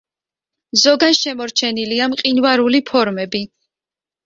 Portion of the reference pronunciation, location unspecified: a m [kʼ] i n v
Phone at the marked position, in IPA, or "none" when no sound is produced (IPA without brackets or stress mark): qʼ